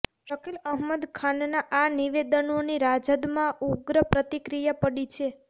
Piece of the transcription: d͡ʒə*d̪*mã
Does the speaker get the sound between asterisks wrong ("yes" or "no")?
no